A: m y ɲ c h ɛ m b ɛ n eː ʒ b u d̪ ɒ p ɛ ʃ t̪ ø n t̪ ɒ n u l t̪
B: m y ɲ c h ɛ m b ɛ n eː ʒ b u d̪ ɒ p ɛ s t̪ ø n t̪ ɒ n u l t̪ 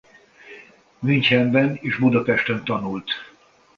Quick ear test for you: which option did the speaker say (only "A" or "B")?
A